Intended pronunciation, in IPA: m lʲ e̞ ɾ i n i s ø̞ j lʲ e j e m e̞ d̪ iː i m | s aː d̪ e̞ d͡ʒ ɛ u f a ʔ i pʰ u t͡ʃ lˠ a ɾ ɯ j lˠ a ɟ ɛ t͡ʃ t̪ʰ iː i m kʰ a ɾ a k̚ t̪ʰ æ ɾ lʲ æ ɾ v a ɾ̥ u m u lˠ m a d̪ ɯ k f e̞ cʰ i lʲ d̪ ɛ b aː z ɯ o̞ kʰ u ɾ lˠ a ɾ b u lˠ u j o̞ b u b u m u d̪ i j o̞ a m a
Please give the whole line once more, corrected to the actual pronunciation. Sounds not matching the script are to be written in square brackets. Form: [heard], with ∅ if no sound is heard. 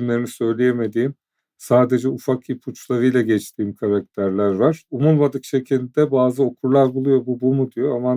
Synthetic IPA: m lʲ e̞ ɾ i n i s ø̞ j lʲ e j e m e̞ d̪ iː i m | s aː d̪ e̞ d͡ʒ ɛ u f a [k] i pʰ u t͡ʃ lˠ a ɾ ɯ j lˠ a ɟ ɛ t͡ʃ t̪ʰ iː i m kʰ a ɾ a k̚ t̪ʰ æ ɾ lʲ æ ɾ v a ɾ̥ u m u lˠ m a d̪ ɯ k [ʃ] e̞ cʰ i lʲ d̪ ɛ b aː z ɯ o̞ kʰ u ɾ lˠ a ɾ b u lˠ u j o̞ b u b u m u d̪ i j o̞ a m a